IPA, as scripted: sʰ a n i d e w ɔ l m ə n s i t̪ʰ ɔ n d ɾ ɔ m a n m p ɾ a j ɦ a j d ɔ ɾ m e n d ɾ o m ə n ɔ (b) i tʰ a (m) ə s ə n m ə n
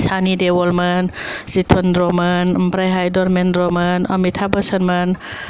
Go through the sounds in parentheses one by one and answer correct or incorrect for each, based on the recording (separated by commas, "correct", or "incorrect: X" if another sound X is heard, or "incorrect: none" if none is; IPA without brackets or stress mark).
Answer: incorrect: m, incorrect: b